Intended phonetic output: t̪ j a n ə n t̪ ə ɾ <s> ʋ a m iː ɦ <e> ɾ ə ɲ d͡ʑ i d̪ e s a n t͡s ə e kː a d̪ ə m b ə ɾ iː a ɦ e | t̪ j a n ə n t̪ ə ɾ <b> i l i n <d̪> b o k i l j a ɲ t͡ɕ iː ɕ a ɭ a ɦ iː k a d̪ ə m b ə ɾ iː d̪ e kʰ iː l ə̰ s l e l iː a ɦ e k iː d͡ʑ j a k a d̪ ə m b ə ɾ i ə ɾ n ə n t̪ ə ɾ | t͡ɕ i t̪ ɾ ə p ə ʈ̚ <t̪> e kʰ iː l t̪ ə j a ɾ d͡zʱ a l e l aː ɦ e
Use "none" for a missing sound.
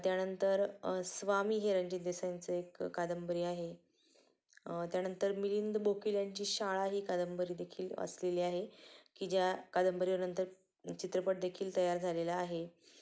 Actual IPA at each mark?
s, e, m, d̪, d̪

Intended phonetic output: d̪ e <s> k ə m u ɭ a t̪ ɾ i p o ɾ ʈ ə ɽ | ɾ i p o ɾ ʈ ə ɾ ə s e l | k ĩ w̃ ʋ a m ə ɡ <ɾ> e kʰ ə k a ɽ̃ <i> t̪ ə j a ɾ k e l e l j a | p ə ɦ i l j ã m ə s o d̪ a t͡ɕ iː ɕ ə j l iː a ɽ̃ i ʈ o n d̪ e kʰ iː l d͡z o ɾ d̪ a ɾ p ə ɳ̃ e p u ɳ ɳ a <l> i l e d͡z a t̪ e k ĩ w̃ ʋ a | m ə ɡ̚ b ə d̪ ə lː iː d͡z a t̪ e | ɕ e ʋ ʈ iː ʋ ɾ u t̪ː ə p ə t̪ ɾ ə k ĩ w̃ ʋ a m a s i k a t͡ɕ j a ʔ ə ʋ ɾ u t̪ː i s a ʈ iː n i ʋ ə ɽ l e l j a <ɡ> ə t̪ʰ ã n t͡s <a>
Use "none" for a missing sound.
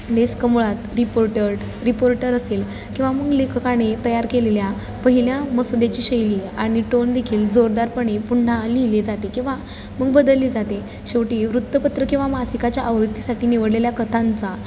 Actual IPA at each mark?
s, l, e, l, k, a

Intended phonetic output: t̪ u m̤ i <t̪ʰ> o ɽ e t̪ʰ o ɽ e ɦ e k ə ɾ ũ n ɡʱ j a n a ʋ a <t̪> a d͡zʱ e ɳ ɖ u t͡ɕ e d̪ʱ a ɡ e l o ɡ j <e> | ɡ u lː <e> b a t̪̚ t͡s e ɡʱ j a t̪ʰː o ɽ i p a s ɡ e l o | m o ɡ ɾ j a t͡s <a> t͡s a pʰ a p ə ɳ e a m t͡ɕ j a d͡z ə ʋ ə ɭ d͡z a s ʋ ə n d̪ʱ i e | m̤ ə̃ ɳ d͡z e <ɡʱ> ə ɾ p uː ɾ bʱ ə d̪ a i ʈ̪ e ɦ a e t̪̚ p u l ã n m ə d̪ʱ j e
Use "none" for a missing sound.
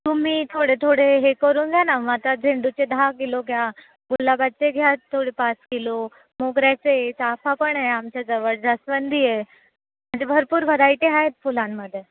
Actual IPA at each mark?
t̪ʰ, t̪, a, a, e, bʱ

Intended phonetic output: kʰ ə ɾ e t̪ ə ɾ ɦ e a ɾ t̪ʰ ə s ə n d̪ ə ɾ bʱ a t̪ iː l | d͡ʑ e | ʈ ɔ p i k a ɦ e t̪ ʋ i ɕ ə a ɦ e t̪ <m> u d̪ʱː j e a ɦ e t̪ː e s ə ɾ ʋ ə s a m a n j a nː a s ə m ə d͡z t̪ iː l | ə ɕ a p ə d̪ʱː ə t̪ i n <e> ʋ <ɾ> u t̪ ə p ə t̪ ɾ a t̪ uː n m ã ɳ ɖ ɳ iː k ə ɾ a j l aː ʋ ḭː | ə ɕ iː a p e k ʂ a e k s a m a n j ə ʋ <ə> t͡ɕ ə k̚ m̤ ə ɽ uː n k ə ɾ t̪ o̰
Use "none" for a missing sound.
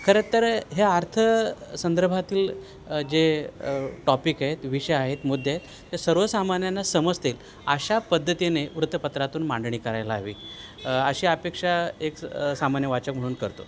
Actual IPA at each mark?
m, e, ɾ, a

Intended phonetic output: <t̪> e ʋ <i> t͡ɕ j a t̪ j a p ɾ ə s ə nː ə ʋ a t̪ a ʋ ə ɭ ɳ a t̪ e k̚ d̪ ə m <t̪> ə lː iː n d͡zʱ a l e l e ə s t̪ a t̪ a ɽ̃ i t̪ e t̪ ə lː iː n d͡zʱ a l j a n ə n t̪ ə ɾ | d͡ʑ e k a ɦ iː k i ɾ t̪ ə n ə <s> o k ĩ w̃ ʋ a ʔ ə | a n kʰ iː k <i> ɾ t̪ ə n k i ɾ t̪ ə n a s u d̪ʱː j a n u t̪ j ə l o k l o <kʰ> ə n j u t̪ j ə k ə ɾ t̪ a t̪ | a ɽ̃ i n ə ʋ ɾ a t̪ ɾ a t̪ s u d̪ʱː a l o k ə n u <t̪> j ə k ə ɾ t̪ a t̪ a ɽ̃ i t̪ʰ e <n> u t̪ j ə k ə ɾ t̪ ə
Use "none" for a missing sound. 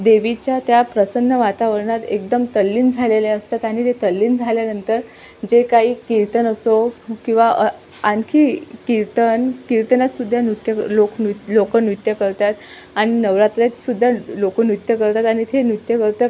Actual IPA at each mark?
d̪, i, t̪, s, i, k, t̪, n

